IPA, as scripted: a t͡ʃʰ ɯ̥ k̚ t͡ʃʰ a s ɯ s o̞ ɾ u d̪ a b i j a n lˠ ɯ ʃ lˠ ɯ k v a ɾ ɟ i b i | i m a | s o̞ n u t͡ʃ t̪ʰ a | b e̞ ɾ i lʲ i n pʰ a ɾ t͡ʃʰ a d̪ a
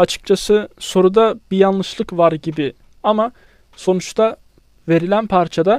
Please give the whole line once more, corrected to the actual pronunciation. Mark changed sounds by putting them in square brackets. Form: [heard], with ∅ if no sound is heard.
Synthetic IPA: a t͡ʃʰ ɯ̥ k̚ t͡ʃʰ a s ɯ s o̞ ɾ u d̪ a b i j a n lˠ ɯ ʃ lˠ ɯ k v a ɾ ɟ i b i | [a] m a | s o̞ n u t͡ʃ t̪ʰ a | [v] e̞ ɾ i lʲ [æ] n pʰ a ɾ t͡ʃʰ a d̪ a